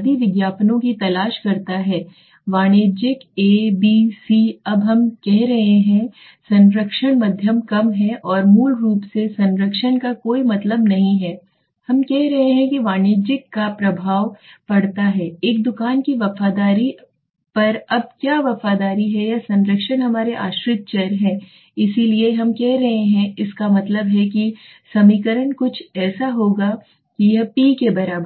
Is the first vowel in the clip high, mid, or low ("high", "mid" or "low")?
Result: high